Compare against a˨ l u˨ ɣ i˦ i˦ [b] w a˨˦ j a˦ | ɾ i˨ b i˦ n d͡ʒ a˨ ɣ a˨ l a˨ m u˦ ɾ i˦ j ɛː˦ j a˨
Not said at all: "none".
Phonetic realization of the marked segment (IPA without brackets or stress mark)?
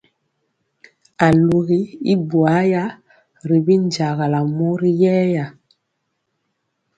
b